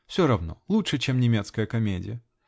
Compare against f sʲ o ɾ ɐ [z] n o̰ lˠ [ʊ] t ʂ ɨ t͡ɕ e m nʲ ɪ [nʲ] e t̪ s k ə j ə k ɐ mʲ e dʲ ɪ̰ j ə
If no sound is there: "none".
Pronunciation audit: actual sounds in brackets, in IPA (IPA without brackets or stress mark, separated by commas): v, u, mʲ